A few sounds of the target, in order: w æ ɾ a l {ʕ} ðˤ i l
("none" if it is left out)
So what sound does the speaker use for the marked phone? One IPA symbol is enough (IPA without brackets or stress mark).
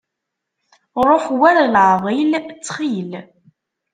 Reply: ʕ